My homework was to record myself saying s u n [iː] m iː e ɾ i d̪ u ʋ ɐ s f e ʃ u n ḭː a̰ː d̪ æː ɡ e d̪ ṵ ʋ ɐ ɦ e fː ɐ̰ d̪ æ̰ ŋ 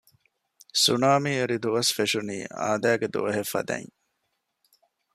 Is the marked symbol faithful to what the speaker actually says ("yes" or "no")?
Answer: no